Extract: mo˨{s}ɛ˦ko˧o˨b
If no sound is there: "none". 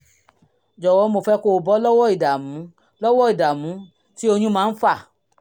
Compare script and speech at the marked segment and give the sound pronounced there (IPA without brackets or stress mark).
f